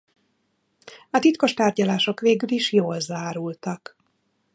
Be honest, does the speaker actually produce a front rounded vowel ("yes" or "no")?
yes